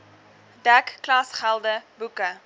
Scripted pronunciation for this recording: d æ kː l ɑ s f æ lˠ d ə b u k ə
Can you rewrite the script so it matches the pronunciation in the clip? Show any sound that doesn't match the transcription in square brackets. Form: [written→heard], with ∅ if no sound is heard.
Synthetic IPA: d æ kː l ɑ s [f→χ] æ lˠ d ə b u k ə